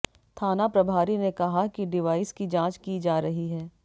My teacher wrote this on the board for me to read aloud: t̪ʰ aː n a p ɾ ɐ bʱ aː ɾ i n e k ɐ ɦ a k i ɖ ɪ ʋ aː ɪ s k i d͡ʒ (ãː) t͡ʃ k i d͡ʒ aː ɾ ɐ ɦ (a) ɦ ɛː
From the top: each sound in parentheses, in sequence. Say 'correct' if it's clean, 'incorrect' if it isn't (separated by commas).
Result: correct, incorrect